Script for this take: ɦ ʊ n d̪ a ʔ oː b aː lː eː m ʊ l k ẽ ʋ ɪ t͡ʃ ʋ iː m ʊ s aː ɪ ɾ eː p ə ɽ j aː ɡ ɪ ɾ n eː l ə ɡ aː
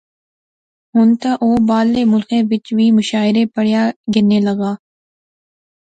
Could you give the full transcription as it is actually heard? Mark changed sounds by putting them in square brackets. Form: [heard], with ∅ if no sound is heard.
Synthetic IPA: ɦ ʊ n [t̪] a ʔ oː b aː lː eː m ʊ l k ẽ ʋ ɪ t͡ʃ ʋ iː m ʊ [ʃ] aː ɪ ɾ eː p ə ɽ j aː ɡ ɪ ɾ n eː l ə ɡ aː